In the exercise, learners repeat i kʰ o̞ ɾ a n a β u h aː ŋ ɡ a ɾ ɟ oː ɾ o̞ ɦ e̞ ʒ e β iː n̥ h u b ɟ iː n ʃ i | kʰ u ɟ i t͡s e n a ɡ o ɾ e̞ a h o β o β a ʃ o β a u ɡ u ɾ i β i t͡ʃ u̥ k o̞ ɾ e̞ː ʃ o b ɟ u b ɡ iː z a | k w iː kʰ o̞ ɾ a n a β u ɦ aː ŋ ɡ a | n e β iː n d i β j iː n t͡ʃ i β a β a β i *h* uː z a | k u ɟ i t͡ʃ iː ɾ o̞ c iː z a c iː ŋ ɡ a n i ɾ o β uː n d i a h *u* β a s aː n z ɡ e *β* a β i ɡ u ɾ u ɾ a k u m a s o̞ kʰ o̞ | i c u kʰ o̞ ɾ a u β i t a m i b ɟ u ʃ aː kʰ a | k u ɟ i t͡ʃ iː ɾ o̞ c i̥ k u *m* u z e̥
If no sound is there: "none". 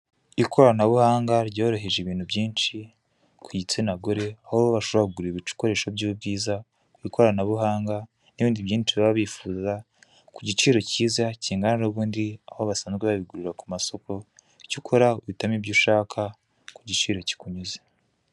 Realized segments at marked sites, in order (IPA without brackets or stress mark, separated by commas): f, o, β, ɲ